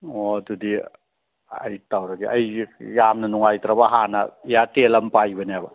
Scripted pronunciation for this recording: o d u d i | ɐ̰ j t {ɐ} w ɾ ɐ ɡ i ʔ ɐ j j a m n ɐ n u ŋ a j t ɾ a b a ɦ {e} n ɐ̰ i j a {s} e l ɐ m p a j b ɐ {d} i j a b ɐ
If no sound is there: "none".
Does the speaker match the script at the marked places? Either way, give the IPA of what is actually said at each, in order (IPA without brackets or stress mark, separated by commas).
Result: a, a, t, n